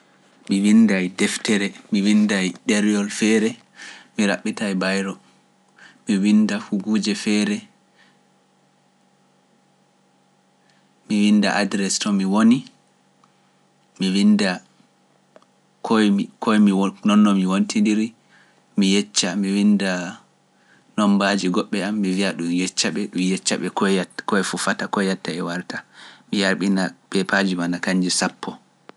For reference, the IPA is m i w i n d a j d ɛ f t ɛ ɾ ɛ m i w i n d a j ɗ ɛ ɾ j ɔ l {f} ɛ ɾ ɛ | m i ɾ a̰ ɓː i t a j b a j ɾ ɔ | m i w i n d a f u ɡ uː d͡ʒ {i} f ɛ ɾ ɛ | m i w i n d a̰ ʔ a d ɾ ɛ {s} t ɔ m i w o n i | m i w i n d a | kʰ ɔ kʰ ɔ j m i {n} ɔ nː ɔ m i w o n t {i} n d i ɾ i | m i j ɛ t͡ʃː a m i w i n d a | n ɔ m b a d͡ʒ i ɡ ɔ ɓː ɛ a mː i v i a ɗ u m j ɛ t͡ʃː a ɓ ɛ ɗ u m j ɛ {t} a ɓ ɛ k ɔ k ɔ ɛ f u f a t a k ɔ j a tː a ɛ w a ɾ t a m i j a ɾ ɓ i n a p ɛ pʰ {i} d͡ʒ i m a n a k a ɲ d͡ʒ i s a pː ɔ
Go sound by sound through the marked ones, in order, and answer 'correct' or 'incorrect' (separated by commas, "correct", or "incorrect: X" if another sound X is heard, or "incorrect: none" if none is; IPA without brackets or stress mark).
correct, incorrect: ɛ, correct, correct, correct, incorrect: t͡ʃː, incorrect: a